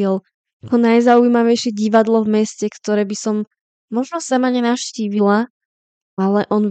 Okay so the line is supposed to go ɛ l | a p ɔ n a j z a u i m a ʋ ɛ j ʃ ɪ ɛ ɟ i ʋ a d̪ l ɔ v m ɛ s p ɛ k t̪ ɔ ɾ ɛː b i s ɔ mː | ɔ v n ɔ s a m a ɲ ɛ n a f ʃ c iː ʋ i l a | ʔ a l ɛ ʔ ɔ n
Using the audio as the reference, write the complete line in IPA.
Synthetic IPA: ɛ l | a k ɔ n a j z a u i m a ʋ ɛ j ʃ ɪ ɛ ɟ i ʋ a d̪ l ɔ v m ɛ s c ɛ k t̪ ɔ ɾ ɛː b i s ɔ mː | ɔ ʒ n ɔ s a m a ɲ ɛ n a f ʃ c iː ʋ i l a | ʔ a l ɛ ʔ ɔ n